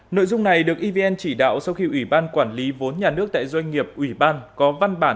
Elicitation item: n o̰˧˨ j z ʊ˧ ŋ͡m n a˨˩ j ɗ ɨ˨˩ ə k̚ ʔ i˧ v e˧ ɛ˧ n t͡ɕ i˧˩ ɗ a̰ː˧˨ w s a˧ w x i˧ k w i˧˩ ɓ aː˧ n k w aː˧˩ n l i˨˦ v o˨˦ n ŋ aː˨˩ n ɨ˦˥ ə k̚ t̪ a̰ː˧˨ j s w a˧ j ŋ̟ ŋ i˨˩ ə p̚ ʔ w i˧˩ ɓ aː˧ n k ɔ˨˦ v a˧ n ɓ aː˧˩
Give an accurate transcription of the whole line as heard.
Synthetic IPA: n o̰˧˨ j z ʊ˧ ŋ͡m n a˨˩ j ɗ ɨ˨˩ ə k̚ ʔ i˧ v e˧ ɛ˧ n t͡ɕ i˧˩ ɗ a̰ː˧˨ w s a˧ w x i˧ ʔ w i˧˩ ɓ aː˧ n k w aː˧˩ n l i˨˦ v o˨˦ n ɲ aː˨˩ n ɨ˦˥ ə k̚ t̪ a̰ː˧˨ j z w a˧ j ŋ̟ ŋ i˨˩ ə p̚ ʔ w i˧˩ ɓ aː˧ n k ɔ˨˦ v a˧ n ɓ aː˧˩

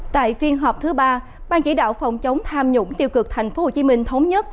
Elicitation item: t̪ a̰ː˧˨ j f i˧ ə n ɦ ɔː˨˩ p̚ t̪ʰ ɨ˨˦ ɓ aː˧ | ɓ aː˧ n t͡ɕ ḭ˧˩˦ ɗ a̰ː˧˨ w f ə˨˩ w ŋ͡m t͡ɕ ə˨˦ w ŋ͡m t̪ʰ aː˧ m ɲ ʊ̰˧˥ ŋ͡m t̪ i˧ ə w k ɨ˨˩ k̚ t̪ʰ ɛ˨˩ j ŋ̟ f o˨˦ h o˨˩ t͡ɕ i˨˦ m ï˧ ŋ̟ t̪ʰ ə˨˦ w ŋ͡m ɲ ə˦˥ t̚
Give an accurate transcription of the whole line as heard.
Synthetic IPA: t̪ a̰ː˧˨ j f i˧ ə n ɦ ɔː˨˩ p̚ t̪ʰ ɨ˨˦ ɓ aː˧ | ɓ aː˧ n t͡ɕ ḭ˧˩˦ ɗ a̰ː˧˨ w f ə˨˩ w ŋ͡m t͡ɕ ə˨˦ w ŋ͡m t̪ʰ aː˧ m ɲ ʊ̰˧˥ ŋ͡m t̪ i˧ ə w k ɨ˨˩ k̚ t̪ʰ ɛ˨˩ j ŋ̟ f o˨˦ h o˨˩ t͡ɕ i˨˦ m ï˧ ŋ̟ t̪ʰ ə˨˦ w ŋ͡m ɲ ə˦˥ t̚

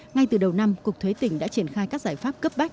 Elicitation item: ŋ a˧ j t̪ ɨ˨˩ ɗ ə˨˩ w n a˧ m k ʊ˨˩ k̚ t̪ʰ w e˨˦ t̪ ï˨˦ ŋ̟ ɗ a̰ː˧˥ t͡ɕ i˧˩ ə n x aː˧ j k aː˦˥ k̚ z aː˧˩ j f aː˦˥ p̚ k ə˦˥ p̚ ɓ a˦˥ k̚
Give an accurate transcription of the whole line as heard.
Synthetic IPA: ŋ a˧ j t̪ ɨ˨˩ ɗ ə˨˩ w n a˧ m k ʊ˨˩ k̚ t̪ʰ w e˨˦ t̪ ï˧˩ ŋ̟ ɗ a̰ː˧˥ t͡ɕ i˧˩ ə n x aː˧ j k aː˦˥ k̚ z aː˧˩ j f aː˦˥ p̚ k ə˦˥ p̚ ɓ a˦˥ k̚

